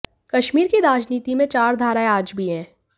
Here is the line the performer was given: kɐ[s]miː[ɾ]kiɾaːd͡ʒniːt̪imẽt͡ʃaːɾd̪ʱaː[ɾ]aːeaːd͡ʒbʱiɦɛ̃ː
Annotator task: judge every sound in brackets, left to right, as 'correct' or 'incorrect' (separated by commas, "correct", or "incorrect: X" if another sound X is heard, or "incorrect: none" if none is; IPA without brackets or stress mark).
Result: incorrect: ʃ, correct, correct